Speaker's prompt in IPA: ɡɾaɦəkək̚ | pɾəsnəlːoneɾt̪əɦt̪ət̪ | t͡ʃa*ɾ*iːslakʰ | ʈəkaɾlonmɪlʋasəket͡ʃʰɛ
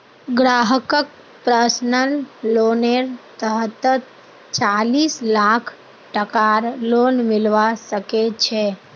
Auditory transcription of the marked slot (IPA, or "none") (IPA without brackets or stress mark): l